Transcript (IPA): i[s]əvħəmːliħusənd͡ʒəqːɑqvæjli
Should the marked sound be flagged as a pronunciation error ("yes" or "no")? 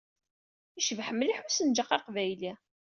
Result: yes